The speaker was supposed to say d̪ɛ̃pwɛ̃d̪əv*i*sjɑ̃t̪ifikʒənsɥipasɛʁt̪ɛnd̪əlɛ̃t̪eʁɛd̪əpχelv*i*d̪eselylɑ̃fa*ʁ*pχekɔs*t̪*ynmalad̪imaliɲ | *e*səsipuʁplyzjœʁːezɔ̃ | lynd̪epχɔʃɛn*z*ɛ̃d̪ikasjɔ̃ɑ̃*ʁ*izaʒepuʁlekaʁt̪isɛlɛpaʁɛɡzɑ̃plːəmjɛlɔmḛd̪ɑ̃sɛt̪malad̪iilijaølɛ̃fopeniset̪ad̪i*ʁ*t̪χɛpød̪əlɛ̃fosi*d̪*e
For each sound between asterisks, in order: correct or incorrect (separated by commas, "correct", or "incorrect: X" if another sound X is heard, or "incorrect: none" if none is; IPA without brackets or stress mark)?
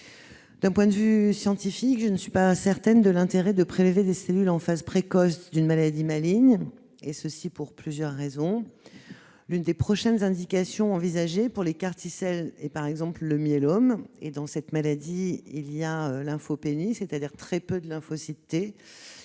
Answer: incorrect: y, incorrect: e, incorrect: z, incorrect: d̪, correct, correct, incorrect: v, correct, incorrect: t̪